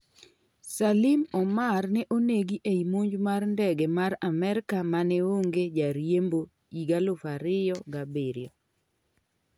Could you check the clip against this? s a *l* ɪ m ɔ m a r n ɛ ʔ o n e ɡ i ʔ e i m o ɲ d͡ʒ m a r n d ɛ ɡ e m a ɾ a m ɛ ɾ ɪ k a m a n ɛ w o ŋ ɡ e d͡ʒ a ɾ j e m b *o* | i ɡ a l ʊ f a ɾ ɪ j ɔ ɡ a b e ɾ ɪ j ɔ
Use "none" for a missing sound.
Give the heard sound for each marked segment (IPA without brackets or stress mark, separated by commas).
l, o